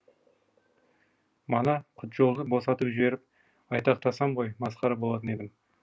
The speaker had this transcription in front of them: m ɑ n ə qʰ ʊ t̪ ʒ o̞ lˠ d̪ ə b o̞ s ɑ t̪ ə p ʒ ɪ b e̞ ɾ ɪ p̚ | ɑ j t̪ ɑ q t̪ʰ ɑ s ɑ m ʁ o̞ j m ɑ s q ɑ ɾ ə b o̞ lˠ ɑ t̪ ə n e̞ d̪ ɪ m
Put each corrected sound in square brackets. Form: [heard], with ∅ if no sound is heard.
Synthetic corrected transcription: m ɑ n [ɑ] qʰ ʊ t̪ ʒ o̞ lˠ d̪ ə b o̞ s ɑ t̪ ə p ʒ ɪ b e̞ ɾ ɪ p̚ | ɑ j t̪ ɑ q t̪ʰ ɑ s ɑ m ʁ o̞ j m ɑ s q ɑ ɾ [ɑ] b o̞ lˠ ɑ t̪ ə n e̞ d̪ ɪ m